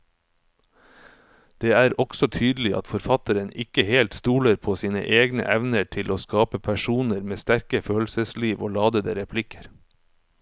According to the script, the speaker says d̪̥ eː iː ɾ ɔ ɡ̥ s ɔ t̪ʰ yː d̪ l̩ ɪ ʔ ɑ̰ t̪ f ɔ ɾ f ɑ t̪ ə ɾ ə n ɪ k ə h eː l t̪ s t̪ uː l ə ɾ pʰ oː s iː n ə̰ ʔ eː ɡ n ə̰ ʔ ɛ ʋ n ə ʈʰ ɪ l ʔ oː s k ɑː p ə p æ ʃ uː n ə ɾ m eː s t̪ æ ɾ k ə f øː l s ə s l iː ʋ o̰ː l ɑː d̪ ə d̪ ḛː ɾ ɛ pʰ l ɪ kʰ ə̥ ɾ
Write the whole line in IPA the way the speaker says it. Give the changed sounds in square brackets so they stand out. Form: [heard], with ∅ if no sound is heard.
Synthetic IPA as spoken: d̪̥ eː [æː] ɾ ɔ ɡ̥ s ɔ t̪ʰ yː d̪ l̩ ɪ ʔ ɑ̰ t̪ f ɔ ɾ f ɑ t̪ ə ɾ ə n ɪ k ə h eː l t̪ s t̪ uː l ə ɾ pʰ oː s iː n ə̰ ʔ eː ɡ n ə̰ ʔ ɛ ʋ n ə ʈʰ ɪ l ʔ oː s k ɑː p ə [pʰ] æ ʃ uː n ə ɾ m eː s t̪ æ ɾ k ə f øː l s ə s l iː ʋ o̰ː l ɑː d̪ ə d̪ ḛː ɾ ɛ pʰ l ɪ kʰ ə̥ ɾ

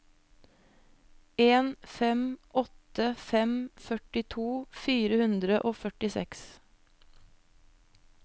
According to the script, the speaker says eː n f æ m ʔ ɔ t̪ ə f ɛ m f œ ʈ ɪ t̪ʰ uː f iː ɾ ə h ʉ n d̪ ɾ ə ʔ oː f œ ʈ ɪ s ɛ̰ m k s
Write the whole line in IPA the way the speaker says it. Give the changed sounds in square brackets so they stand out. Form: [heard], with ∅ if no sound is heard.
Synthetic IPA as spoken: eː n f [ɛ] m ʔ ɔ t̪ ə f ɛ m f œ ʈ ɪ t̪ʰ uː f iː ɾ ə h ʉ n d̪ ɾ ə ʔ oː f œ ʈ ɪ s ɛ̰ [∅] k s

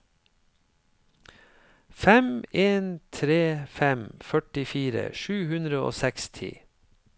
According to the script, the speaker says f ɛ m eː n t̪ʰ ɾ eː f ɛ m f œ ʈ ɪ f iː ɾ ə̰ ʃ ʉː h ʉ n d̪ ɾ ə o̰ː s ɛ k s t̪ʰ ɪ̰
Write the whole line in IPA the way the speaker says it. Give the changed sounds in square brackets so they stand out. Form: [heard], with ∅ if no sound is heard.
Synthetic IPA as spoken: f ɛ m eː n t̪ʰ ɾ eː f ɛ m f œ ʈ ɪ f iː ɾ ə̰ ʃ ʉː h ʉ n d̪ ɾ ə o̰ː s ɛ k s t̪ʰ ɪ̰

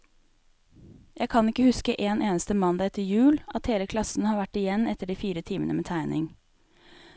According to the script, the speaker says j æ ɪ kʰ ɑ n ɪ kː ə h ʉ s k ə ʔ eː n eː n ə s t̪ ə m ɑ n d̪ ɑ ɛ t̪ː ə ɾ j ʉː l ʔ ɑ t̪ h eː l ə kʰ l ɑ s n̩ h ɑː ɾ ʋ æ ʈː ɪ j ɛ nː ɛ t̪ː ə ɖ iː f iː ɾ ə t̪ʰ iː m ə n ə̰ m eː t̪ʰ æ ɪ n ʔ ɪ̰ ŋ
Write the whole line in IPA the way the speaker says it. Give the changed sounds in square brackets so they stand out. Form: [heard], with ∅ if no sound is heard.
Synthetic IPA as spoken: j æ ɪ kʰ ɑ n ɪ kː ə h ʉ s k ə ʔ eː n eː n ə s t̪ ə m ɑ n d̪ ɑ ɛ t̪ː ə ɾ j ʉː l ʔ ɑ t̪ h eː l ə kʰ l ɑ s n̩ h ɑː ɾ ʋ æ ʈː ɪ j ɛ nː ɛ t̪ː ə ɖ iː f iː ɾ ə t̪ʰ iː m ə n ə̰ m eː t̪ʰ æ ɪ n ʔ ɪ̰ ŋ

